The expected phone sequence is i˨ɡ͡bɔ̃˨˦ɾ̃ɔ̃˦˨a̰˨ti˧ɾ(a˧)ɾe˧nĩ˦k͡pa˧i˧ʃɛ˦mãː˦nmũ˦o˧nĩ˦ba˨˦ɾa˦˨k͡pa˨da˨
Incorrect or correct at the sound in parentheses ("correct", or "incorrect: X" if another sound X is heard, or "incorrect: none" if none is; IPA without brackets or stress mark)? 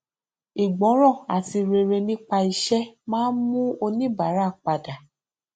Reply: incorrect: e˧